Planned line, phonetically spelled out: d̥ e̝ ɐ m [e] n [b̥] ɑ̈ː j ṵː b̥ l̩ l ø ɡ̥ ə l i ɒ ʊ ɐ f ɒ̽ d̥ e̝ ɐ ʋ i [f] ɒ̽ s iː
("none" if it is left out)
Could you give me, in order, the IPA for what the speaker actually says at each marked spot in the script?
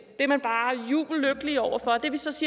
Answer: æ, b̥, s

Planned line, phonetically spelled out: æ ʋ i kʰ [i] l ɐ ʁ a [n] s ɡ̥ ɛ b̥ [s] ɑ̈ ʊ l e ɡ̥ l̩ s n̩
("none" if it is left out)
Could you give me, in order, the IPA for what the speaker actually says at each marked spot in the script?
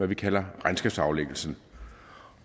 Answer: æ, n, s

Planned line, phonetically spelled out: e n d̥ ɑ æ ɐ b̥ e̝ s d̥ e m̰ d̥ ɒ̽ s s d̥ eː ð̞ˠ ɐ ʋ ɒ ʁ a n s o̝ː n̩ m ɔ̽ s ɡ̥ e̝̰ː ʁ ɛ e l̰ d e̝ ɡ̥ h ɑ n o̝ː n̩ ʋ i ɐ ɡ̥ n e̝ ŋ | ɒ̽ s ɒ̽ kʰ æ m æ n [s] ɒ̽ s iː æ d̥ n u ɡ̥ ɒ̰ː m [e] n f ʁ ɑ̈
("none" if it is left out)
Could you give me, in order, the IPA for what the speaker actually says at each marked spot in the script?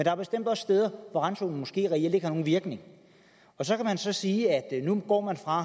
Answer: s, æ

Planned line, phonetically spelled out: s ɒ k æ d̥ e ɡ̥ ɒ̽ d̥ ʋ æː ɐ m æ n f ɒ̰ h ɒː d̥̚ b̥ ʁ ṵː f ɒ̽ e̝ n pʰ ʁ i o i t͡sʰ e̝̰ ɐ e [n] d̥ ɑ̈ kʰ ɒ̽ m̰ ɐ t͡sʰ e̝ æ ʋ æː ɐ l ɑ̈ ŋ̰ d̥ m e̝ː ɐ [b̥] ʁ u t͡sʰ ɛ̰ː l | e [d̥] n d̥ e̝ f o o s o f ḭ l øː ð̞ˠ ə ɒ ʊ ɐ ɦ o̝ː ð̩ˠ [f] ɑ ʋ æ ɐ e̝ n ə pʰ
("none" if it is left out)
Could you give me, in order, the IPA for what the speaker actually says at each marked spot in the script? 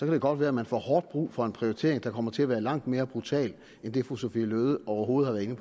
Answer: ŋ, b̥, none, h

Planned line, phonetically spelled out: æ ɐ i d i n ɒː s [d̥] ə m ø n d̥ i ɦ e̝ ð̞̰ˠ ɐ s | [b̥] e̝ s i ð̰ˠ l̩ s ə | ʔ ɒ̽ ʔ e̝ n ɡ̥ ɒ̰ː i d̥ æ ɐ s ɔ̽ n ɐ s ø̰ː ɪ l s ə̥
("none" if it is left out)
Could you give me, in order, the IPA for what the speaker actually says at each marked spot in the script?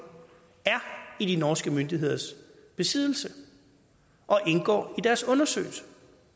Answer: ɡ̥, b̥

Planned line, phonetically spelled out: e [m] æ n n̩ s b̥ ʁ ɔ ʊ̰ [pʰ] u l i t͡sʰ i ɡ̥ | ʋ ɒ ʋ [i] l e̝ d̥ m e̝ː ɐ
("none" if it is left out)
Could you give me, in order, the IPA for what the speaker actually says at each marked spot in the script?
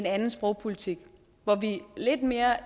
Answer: n, pʰ, i

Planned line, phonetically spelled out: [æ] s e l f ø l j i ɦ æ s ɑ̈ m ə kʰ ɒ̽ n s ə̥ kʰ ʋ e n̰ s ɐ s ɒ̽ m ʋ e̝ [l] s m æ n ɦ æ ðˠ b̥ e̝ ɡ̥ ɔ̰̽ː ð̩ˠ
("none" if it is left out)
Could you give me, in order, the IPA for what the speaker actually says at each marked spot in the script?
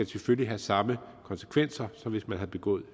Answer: æ, none

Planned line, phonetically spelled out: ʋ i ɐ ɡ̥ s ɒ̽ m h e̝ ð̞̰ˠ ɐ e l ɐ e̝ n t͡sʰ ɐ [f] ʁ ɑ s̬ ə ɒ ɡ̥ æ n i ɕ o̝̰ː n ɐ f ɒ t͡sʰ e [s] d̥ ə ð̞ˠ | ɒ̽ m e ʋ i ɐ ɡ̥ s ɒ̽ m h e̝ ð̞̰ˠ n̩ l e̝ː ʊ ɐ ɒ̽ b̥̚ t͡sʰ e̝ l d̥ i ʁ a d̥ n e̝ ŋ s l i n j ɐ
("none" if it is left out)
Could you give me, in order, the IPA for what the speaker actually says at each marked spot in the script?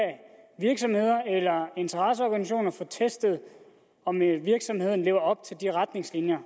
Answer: none, s

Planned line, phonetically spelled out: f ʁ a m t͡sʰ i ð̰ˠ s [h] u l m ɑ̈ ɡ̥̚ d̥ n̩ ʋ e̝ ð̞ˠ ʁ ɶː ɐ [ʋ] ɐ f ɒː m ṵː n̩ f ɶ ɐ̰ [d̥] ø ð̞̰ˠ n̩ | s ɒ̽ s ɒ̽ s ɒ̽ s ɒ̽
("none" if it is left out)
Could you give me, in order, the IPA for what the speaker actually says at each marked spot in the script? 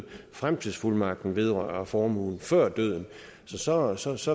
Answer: f, none, d̥

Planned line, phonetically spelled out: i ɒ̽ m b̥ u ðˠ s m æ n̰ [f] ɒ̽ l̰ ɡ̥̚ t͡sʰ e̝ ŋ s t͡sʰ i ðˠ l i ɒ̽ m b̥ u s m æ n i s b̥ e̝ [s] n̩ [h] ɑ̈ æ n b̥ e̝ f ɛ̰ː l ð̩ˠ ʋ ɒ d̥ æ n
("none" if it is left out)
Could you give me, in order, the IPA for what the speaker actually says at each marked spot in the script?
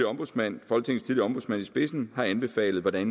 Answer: f, s, h

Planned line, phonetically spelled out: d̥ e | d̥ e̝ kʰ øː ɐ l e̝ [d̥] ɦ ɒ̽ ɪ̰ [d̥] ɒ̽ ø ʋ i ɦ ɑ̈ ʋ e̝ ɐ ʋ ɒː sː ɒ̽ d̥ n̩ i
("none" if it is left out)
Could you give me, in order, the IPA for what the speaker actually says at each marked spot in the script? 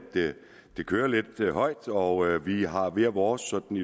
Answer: d̥, d̥

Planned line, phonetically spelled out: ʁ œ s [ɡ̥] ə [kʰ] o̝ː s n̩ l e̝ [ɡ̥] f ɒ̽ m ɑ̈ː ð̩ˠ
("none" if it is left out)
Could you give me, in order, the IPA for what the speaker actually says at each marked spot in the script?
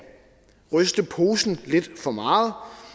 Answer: d̥, pʰ, d̥

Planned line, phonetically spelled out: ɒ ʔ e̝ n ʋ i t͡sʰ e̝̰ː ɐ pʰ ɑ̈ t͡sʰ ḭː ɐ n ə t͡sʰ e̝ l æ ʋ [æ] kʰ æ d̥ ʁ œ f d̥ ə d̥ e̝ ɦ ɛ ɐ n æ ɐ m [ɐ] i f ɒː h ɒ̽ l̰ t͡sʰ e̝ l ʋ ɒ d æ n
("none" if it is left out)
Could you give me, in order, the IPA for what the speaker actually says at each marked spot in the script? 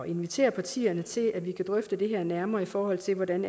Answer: i, ɐː

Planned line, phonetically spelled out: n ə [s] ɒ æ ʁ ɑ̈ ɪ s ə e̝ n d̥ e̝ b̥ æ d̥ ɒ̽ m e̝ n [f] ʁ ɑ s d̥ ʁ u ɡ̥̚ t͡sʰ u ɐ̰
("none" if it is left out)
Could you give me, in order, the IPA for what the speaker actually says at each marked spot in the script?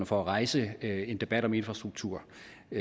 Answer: f, f

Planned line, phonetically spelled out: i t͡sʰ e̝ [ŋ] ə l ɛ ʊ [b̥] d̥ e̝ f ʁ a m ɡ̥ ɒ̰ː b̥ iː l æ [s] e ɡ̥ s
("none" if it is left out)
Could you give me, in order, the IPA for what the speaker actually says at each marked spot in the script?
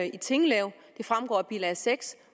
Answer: ŋ, none, s

